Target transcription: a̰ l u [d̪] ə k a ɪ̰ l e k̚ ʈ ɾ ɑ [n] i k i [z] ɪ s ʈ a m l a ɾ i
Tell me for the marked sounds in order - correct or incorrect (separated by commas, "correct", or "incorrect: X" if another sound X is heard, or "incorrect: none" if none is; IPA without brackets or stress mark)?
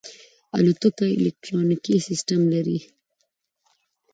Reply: incorrect: t̪, correct, incorrect: s